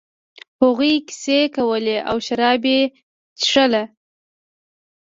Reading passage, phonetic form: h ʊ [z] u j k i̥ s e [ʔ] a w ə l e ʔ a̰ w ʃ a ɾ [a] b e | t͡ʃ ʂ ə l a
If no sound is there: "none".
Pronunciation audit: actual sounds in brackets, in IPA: ɣ, k, ɑ

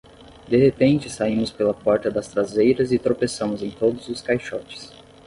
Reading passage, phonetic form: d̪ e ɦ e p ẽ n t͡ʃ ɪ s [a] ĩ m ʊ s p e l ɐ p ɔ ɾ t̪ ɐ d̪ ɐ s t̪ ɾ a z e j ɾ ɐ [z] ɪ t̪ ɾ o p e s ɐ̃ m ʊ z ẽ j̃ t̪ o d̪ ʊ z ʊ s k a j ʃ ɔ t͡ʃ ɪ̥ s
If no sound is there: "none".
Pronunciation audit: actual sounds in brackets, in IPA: a, z

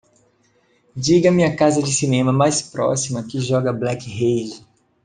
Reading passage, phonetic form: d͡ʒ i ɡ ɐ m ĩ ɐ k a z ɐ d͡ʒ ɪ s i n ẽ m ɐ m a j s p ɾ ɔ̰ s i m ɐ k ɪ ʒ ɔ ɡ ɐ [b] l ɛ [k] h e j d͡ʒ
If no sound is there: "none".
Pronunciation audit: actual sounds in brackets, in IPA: b, k

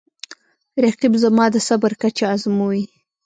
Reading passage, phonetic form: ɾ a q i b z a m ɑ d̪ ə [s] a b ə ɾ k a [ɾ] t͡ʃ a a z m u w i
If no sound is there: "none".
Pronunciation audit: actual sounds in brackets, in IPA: s, none

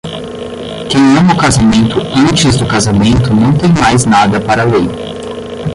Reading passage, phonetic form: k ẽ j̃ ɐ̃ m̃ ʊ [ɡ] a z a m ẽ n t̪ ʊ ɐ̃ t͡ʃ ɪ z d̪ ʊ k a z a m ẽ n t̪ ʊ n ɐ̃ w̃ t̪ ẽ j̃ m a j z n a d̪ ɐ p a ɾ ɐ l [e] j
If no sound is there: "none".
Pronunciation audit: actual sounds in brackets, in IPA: k, e

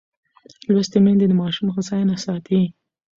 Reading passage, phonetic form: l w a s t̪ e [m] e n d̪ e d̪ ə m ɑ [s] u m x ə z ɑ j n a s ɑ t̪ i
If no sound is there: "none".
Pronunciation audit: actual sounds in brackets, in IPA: m, ʃ

